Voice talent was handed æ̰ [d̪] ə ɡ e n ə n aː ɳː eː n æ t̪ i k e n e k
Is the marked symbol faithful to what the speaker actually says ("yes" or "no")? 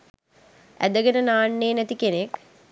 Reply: yes